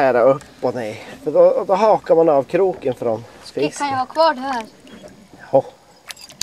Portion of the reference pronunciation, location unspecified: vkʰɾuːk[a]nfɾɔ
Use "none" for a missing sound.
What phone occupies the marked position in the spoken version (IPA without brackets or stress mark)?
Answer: ə